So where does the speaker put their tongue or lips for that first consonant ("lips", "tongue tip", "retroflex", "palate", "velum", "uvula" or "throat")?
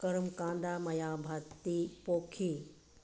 velum